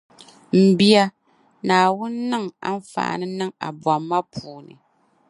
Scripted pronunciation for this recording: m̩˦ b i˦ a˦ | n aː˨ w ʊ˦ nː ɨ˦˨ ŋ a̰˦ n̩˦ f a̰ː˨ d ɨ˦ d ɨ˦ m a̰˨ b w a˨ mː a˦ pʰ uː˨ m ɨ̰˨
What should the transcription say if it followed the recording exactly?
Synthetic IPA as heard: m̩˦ b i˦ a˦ | n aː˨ w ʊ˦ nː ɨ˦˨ ŋ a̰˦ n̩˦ f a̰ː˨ n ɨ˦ n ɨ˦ ŋ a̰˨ b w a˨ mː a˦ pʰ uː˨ n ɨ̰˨